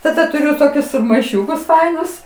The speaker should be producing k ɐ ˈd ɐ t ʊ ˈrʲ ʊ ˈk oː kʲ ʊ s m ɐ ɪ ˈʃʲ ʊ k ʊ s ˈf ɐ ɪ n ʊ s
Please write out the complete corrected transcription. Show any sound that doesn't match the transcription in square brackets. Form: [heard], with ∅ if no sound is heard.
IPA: [t] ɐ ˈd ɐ t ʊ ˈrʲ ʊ [ˈt] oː kʲ ʊ s m ɐ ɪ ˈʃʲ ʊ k ʊ s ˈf ɐ ɪ n ʊ s